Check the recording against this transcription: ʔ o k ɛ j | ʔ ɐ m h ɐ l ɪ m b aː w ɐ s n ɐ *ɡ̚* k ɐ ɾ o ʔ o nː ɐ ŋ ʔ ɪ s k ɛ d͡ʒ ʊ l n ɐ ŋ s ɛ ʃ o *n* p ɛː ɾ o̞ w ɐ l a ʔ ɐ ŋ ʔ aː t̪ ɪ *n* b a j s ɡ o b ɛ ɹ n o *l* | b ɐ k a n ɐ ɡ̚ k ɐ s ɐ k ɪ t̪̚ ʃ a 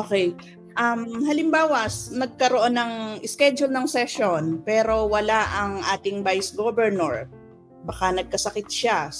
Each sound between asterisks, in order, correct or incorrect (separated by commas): correct, correct, incorrect, incorrect